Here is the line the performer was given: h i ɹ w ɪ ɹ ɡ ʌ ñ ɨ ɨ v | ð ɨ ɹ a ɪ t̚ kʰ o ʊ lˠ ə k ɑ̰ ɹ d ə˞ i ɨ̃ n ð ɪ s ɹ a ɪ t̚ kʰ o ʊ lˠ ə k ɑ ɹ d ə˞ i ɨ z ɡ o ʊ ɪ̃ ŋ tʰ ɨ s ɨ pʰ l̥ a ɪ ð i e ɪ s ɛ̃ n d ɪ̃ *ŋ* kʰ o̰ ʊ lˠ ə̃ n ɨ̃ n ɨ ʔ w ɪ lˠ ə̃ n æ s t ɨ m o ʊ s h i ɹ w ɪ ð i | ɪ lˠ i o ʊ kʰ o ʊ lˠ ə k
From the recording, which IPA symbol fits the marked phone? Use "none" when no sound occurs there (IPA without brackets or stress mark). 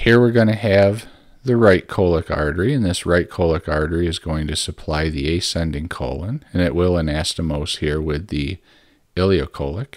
ŋ